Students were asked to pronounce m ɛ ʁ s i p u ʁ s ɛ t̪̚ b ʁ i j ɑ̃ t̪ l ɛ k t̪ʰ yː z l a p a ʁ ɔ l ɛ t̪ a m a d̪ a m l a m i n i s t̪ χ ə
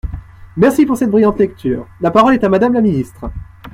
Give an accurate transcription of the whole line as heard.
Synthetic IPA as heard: m ɛ ʁ s i p u ʁ s ɛ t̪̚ b ʁ i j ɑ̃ t̪ l ɛ k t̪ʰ yː ʁ l a p a ʁ ɔ l ɛ t̪ a m a d̪ a m l a m i n i s t̪ χ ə